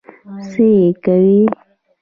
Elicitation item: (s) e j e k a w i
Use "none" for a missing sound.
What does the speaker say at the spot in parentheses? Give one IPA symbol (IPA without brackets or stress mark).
s